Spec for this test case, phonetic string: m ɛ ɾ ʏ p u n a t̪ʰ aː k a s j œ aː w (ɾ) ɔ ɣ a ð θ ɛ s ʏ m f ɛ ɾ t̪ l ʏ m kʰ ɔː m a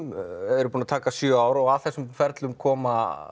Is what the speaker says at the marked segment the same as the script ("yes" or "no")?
yes